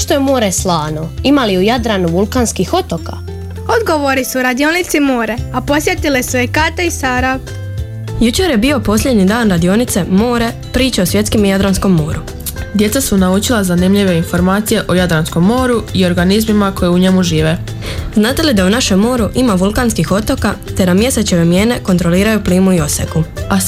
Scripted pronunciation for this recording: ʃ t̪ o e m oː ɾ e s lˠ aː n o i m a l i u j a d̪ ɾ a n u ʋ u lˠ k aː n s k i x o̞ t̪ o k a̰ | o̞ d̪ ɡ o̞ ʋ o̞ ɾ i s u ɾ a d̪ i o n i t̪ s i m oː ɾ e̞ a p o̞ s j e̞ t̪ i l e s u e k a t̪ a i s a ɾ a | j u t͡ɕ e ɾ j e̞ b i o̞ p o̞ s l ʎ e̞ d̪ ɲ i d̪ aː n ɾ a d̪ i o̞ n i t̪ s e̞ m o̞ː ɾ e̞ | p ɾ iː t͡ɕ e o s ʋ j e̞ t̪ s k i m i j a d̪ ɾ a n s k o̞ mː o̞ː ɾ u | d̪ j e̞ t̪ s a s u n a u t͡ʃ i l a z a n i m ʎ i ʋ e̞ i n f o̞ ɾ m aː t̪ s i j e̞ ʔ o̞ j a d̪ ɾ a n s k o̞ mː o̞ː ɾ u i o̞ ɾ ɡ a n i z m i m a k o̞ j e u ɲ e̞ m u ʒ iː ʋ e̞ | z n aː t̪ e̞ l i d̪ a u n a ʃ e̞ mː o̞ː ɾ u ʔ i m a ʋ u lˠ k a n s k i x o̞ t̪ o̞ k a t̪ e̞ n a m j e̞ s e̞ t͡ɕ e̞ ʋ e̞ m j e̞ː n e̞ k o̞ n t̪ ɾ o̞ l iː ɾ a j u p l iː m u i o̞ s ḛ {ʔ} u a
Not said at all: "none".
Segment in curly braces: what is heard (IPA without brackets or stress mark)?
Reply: k